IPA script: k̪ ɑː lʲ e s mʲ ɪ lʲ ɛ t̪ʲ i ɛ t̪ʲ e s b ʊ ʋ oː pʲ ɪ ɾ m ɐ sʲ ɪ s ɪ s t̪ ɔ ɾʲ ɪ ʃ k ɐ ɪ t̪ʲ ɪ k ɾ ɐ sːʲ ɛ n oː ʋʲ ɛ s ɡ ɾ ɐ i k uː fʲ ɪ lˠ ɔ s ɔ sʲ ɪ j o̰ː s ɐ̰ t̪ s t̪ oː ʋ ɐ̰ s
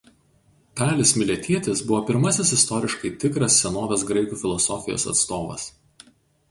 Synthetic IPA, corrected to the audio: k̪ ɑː lʲ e s mʲ ɪ lʲ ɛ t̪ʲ i ɛ t̪ʲ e s b ʊ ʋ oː pʲ ɪ ɾ m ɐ sʲ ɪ s ɪ s t̪ ɔ ɾʲ ɪ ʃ k ɐ ɪ t̪ʲ ɪ k ɾ ɐ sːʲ ɛ n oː ʋʲ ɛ s ɡ ɾ ɐ ɪ k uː fʲ ɪ lˠ ɔ s ɔ fʲ ɪ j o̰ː s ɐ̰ t̪ s t̪ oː ʋ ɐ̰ s